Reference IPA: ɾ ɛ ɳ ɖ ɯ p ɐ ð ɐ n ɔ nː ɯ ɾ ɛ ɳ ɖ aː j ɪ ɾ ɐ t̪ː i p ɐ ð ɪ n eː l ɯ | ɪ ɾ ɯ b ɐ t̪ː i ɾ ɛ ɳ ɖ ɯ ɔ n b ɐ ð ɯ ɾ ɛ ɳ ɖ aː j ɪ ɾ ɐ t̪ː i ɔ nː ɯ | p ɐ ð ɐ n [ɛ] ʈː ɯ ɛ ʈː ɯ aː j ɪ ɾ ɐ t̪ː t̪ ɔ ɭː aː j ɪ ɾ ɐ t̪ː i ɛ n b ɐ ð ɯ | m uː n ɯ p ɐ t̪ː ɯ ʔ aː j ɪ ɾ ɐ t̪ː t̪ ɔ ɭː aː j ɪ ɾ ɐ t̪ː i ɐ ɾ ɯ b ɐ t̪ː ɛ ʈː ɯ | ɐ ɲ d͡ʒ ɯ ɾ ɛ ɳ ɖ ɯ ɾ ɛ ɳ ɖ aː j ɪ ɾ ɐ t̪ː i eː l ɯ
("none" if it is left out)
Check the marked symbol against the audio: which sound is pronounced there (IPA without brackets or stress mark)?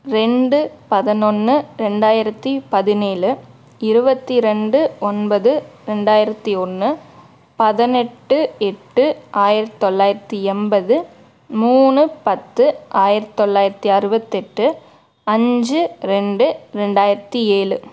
ɛ